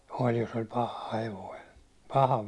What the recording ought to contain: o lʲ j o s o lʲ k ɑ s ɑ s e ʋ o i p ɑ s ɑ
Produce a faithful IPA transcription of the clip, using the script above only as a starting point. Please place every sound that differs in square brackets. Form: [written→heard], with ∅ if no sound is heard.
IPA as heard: o lʲ j o s o lʲ [k→p] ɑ [s→h] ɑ [s→h] e ʋ o i p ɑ [s→h] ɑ

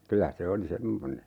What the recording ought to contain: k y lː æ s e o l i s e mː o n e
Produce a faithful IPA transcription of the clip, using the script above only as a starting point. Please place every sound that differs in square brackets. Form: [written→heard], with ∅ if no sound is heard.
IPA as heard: k y [lː→l] æ s e o l i s e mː o n e

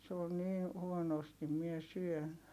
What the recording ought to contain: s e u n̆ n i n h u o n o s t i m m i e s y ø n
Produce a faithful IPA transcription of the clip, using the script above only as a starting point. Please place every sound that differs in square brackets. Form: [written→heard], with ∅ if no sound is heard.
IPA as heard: s e [u→o] n̆ n [i→iː] n h u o n o s t i m m i e s y ø n

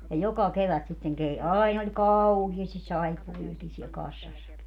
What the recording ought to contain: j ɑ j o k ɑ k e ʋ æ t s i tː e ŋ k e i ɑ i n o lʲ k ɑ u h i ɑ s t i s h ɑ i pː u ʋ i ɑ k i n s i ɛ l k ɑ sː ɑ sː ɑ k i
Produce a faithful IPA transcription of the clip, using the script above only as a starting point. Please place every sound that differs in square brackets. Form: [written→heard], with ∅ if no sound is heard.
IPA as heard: j ɑ j o k ɑ k e ʋ æ t s i tː e ŋ k e i ɑ i n o lʲ k ɑ u h i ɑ s t i s [h→s] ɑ i pː u ʋ i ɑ k i n s i ɛ l k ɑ sː ɑ sː ɑ k i

